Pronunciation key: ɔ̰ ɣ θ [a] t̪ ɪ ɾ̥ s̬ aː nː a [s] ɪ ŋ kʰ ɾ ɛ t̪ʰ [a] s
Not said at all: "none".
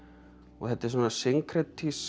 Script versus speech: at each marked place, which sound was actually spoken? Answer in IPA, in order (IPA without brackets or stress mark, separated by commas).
ɛ, s, i